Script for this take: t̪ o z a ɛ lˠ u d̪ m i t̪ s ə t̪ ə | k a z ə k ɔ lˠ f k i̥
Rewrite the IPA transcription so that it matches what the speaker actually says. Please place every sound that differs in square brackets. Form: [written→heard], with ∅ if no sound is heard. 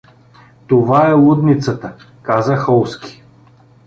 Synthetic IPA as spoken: t̪ o [z→v] a ɛ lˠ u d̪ [m→n] i t̪ s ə t̪ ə | k a z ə [k→x] ɔ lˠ [f→s] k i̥